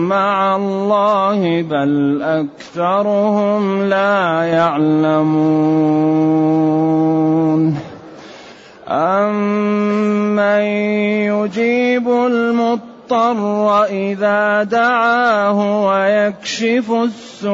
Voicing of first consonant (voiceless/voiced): voiced